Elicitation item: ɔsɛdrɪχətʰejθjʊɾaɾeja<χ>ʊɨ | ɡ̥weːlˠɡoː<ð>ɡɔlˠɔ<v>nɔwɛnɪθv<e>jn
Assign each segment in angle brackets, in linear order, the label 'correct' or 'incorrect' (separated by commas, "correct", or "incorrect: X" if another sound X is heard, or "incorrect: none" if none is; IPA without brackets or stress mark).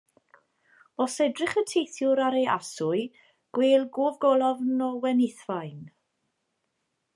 incorrect: s, incorrect: v, correct, incorrect: a